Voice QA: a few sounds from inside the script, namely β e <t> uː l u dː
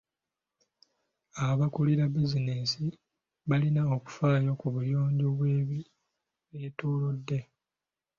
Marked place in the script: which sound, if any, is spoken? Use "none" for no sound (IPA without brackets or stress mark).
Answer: t